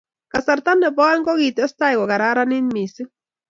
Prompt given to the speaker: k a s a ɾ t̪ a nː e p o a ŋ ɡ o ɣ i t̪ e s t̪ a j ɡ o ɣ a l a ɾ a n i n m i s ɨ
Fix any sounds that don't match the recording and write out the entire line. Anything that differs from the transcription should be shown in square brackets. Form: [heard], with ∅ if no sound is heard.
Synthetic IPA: k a s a ɾ t̪ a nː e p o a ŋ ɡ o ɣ i t̪ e s t̪ a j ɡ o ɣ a [ɾ] a ɾ a n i n m i s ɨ